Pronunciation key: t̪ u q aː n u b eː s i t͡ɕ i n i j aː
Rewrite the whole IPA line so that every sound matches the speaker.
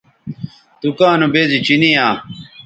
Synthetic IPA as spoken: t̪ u k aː n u b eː z i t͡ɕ i n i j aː